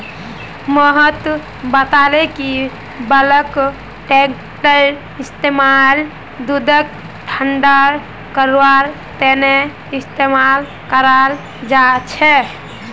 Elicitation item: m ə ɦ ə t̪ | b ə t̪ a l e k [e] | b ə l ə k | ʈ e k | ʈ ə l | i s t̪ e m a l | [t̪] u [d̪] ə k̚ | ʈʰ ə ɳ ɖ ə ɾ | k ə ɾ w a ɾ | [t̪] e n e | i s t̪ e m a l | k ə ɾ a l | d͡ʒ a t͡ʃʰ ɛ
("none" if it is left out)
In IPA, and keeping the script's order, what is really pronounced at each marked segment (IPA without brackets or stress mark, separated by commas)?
i, d̪, d̪, t̪